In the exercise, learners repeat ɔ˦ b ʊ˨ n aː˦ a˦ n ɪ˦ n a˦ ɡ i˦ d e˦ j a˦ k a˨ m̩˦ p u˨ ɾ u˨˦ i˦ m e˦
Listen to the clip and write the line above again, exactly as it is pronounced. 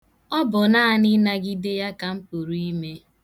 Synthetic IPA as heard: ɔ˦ b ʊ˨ n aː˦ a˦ n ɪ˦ n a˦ ɡ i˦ d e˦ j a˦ k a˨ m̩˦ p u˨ ɾ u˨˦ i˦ m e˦